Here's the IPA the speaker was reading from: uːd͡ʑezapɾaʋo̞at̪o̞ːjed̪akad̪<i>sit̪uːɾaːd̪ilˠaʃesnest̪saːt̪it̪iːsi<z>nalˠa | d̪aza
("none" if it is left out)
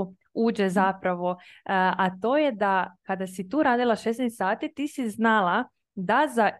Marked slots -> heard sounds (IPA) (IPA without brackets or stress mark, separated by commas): a, z